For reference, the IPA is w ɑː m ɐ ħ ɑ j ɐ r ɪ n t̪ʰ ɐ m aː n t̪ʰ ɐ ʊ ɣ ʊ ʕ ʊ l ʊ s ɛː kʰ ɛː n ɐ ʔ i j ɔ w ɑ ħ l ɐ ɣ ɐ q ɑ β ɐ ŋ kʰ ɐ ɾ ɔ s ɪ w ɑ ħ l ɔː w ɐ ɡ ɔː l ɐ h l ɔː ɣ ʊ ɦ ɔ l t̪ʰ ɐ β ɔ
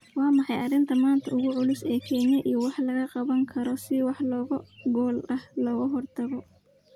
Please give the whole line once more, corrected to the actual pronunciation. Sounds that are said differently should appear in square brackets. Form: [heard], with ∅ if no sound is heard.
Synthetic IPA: w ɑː m [ɑ] ħ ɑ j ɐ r ɪ n t̪ʰ ɐ m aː n t̪ʰ ɐ ʊ ɣ ʊ ʕ ʊ l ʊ s ɛː kʰ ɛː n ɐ ʔ i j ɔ w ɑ ħ l ɐ ɣ ɐ q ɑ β ɐ ŋ kʰ ɐ ɾ ɔ s ɪ w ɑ ħ l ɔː [ɣ] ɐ ɡ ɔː l ɐ h l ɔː ɣ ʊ ɦ ɔ [r] t̪ʰ ɐ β ɔ